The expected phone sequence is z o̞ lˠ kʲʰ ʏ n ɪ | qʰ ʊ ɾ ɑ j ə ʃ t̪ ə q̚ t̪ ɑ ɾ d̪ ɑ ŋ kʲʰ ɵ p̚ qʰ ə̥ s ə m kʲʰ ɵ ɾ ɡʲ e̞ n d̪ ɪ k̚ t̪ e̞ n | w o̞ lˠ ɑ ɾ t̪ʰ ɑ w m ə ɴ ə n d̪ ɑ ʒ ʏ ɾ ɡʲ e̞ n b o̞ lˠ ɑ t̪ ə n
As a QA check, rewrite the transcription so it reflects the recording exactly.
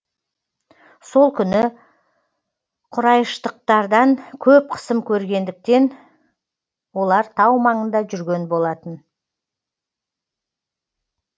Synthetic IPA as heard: s o̞ lˠ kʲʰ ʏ n ɪ | qʰ ʊ ɾ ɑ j ə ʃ t̪ ə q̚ t̪ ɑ ɾ d̪ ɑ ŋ kʲʰ ɵ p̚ qʰ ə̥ s ə m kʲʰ ɵ ɾ ɡʲ e̞ n d̪ ɪ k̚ t̪ e̞ n | w o̞ lˠ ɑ ɾ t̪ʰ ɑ w m ɑ ɴ ə n d̪ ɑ ʒ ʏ ɾ ɡʲ e̞ n b o̞ lˠ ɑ t̪ ə n

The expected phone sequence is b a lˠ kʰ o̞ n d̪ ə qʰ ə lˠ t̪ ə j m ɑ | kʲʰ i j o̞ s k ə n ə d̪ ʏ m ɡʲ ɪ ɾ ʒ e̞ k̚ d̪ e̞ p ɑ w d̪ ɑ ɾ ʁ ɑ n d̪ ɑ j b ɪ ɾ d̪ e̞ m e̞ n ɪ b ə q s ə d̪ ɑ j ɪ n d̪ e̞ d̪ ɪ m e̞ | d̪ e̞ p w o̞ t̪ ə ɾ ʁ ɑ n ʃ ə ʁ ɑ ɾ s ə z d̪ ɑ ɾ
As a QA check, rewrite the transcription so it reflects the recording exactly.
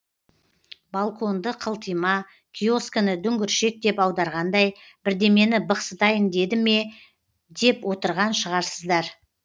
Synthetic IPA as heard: b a lˠ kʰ o̞ n d̪ ə qʰ ə lˠ t̪ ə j m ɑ | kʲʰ i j o̞ s k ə n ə d̪ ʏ ŋ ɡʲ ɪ ɾ ʃ e̞ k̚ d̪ e̞ p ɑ w d̪ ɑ ɾ ʁ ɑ n d̪ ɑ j b ɪ ɾ d̪ e̞ m e̞ n ɪ b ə q s ə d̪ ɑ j ɪ n d̪ e̞ d̪ ɪ m e̞ | d̪ e̞ p w o̞ t̪ ə ɾ ʁ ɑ n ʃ ə ʁ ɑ ɾ s ə z d̪ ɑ ɾ

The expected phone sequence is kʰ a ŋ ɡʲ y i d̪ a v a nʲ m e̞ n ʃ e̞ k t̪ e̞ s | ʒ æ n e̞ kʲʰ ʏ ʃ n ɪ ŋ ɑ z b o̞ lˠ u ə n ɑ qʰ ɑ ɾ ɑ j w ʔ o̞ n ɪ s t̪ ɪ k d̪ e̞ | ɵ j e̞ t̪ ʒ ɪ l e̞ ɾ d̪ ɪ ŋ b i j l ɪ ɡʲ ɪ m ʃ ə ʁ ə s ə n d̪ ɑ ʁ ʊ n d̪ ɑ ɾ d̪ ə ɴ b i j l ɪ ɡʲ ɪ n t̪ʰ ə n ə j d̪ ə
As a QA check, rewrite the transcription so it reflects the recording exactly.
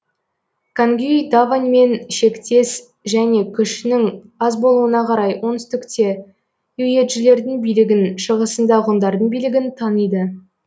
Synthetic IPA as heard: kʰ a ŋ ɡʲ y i d̪ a v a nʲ m e̞ n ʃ e̞ k t̪ e̞ s | ʒ æ n e̞ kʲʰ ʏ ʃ n ɪ ŋ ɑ z b o̞ lˠ u ə n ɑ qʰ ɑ ɾ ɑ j w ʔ o̞ n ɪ s t̪ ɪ k t̪ e̞ | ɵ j e̞ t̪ ʒ ɪ l e̞ ɾ d̪ ɪ ŋ b i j l ɪ ɡʲ ɪ n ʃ ə ʁ ə s ə n d̪ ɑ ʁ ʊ n d̪ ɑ ɾ d̪ ə ɴ b i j l ɪ ɡʲ ɪ n t̪ʰ ɑ n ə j d̪ ə

